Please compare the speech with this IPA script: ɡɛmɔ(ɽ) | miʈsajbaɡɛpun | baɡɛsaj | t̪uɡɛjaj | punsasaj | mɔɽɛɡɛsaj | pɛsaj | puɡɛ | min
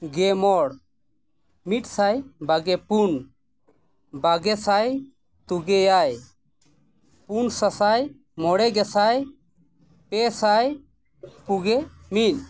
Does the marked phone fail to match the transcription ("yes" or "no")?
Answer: no